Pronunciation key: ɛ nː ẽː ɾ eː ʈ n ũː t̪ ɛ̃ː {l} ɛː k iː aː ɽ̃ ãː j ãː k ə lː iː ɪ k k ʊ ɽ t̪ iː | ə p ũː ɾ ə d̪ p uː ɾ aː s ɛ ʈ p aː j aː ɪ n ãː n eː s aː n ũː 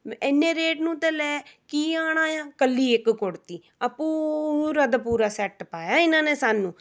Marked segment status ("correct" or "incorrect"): correct